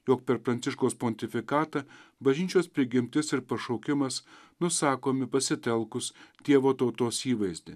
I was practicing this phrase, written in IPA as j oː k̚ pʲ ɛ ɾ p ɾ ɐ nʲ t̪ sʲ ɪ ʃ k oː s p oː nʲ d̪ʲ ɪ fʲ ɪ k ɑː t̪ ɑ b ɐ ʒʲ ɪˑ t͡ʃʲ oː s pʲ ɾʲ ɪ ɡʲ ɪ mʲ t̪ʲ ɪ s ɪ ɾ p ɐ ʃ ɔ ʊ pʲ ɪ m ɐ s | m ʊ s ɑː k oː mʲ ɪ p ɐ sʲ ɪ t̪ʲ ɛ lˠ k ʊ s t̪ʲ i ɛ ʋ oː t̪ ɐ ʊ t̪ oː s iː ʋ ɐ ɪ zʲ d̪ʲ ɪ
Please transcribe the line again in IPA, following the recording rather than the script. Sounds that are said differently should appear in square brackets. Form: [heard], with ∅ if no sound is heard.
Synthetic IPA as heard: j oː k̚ pʲ ɛ ɾ p ɾ ɐ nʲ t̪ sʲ ɪ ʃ k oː s p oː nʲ [t̪ʲ] ɪ fʲ ɪ k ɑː t̪ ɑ b ɐ ʒʲ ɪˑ t͡ʃʲ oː s pʲ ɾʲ ɪ ɡʲ ɪ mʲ t̪ʲ ɪ s ɪ ɾ p ɐ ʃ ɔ ʊ [kʲ] ɪ m ɐ s | [n] ʊ s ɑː k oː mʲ ɪ p ɐ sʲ ɪ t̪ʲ ɛ lˠ k ʊ s t̪ʲ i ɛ ʋ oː t̪ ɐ ʊ t̪ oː s iː ʋ ɐ ɪ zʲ d̪ʲ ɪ